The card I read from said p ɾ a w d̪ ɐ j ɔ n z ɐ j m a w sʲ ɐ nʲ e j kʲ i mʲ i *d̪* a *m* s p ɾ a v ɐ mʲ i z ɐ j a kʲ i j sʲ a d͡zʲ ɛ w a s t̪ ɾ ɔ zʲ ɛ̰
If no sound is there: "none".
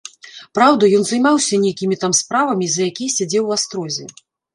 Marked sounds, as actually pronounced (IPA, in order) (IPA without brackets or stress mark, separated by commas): t̪, m